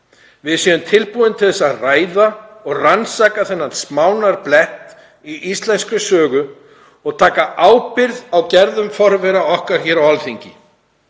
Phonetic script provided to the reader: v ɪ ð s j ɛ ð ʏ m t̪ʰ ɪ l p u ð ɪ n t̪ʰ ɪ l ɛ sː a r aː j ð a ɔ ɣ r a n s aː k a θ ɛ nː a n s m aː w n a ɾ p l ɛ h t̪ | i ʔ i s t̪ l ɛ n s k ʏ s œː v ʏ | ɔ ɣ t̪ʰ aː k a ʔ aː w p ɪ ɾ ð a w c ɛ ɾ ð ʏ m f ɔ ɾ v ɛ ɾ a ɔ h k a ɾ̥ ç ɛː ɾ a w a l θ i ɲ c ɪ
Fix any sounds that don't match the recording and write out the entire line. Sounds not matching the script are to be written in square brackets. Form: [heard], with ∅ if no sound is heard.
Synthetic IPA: v ɪ ð s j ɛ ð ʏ m t̪ʰ ɪ l p u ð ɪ n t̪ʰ ɪ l ɛ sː a r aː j ð a ɔ ɣ r a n s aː k a θ ɛ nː a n s m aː w n a ɾ p l ɛ h t̪ | i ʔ i s t̪ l ɛ n s k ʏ s œː [ɣ] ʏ | ɔ ɣ t̪ʰ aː k a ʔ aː w p ɪ ɾ ð a w c ɛ ɾ ð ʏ m f ɔ ɾ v ɛ ɾ a ɔ h k a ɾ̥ ç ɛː ɾ a w a l θ i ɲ c ɪ